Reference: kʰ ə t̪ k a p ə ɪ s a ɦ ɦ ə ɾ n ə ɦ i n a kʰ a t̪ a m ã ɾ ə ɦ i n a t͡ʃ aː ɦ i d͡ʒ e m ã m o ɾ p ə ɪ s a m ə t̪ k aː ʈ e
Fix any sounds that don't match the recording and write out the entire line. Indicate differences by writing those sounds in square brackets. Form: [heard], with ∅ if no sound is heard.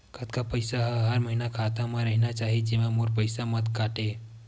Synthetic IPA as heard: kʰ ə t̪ k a p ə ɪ s a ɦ ɦ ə ɾ [m] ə ɦ i n a kʰ a t̪ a m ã ɾ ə ɦ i n a t͡ʃ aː ɦ i d͡ʒ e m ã m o ɾ p ə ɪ s a m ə t̪ k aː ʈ e